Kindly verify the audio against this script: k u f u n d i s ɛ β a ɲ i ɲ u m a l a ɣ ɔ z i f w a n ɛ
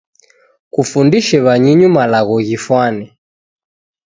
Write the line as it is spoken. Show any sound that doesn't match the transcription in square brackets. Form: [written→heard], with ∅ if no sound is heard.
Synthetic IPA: k u f u n d i [s→ʃ] ɛ β a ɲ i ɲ u m a l a ɣ ɔ [z→ɣ] i f w a n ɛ